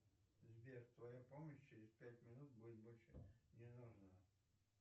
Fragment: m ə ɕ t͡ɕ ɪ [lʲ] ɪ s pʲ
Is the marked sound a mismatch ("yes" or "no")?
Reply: yes